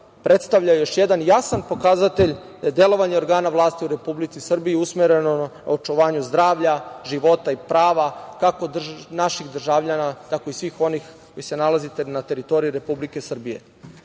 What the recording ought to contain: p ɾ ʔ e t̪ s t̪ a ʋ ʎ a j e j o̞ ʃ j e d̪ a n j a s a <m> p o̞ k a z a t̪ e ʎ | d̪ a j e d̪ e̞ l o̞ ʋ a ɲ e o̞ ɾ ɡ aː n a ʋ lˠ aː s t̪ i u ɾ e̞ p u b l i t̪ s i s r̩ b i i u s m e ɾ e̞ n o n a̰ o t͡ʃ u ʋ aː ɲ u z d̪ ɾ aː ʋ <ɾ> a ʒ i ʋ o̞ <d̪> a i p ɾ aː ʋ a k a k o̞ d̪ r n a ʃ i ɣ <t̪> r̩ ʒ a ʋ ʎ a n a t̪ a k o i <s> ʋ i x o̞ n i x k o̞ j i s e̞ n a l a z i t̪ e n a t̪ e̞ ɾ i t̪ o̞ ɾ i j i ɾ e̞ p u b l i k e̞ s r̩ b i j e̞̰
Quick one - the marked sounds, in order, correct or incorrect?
incorrect: n, incorrect: ʎ, incorrect: t̪, incorrect: d̪, correct

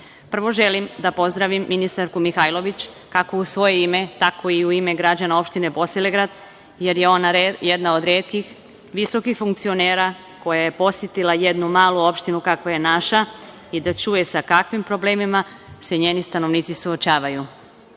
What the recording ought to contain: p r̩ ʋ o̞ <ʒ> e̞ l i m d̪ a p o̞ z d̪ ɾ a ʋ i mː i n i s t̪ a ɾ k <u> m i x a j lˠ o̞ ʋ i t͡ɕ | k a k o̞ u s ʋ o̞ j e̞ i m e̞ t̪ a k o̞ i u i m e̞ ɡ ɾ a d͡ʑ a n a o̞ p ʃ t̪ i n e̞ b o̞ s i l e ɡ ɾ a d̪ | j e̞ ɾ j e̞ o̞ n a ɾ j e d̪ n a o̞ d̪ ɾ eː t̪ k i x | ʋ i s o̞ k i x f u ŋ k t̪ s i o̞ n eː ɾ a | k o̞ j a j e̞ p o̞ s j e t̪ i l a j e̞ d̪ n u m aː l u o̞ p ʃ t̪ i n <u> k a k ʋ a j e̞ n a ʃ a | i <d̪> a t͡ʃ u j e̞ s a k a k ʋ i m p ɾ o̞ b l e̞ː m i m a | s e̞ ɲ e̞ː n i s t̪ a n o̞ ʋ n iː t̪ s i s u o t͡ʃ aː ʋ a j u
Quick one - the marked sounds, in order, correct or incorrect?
correct, correct, correct, correct

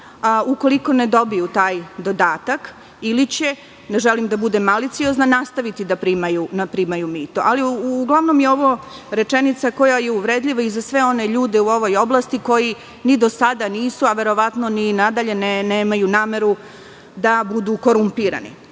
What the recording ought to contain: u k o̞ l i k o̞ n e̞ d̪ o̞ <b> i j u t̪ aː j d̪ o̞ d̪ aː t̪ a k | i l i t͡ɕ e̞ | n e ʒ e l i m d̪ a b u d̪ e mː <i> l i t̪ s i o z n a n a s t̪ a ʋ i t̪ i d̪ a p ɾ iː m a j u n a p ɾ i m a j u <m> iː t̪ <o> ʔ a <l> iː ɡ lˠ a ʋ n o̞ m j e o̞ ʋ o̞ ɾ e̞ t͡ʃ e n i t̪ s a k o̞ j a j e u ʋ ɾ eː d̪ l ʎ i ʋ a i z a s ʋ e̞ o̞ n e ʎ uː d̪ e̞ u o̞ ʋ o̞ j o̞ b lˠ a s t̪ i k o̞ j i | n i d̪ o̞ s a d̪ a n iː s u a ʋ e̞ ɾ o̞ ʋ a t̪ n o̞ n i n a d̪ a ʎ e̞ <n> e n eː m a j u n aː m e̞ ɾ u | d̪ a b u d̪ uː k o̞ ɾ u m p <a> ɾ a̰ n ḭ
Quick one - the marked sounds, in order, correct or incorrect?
correct, incorrect: a, correct, correct, correct, correct, incorrect: i

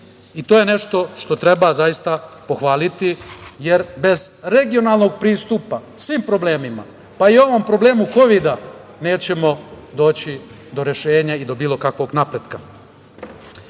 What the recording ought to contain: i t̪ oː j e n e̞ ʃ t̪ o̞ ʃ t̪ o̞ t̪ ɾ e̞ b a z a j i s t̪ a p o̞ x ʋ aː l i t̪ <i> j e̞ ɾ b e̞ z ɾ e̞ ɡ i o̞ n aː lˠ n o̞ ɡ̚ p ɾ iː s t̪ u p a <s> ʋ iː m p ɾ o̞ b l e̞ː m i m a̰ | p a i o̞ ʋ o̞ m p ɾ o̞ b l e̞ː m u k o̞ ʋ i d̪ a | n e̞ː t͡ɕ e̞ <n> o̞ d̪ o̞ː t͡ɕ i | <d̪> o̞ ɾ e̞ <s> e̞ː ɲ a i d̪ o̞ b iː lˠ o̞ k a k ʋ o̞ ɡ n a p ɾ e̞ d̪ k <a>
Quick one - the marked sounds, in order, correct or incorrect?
correct, correct, incorrect: m, correct, incorrect: ʃ, correct

